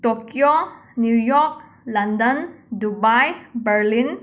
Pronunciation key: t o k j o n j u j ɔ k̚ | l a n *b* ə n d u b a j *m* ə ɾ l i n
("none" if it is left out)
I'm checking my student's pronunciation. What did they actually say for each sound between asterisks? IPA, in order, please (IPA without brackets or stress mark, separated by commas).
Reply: d, b